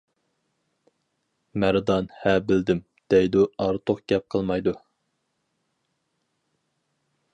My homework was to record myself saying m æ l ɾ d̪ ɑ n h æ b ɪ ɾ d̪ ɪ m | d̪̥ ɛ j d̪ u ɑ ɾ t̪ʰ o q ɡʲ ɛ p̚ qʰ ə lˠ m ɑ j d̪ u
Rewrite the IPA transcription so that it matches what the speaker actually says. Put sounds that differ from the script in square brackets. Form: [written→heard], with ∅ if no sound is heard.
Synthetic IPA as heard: m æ [l→∅] ɾ d̪ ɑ n h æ b ɪ [ɾ→l] d̪ ɪ m | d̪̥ ɛ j d̪ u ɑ ɾ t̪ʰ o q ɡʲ ɛ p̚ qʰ ə lˠ m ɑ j d̪ u